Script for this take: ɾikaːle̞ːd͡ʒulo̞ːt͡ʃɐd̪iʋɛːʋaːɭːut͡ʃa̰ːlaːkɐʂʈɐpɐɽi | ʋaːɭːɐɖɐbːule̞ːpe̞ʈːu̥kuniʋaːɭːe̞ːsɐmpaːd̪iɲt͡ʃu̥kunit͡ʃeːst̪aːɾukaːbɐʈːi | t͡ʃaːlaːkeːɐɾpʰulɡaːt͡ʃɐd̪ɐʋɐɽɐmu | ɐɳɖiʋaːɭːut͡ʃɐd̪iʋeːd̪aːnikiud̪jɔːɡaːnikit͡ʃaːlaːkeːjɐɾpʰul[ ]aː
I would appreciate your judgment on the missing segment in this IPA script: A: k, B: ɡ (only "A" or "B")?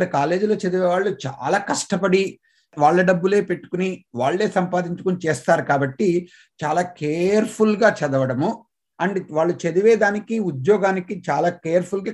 B